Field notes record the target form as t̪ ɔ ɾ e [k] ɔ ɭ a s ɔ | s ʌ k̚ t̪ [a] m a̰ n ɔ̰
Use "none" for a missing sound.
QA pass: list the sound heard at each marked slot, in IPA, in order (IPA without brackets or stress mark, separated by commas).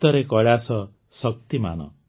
k, i